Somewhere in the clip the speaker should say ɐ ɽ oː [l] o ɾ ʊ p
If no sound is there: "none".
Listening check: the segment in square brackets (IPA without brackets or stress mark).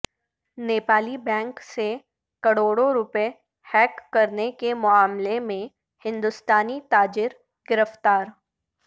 ɽ